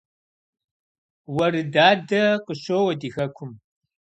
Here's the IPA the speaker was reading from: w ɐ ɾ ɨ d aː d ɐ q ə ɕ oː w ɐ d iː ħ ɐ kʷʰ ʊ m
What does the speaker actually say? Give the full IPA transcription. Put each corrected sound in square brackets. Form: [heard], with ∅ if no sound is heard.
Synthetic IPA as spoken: w ɐ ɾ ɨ d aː d ɐ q ə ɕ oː w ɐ d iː [x] ɐ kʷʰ ʊ m